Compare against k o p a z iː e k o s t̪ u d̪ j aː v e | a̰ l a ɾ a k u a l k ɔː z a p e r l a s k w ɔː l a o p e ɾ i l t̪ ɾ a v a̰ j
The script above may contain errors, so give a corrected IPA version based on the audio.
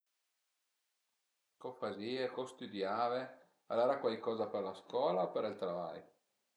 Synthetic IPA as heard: k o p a z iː e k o s t̪ u d̪ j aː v e | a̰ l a ɾ a k w a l k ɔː z a p e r l a s k w ɔː l a o p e ɾ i l t̪ ɾ a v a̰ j